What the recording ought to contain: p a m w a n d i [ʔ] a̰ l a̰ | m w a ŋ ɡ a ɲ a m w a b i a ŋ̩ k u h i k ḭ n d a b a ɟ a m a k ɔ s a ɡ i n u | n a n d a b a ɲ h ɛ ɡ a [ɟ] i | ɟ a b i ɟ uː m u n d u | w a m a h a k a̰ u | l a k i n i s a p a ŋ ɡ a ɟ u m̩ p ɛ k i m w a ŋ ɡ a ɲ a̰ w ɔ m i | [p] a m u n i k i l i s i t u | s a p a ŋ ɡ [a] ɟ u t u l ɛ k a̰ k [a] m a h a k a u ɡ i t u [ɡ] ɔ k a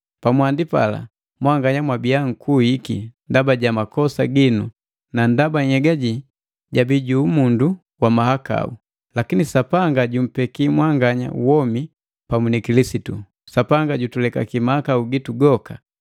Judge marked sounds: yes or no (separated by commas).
no, yes, yes, yes, no, yes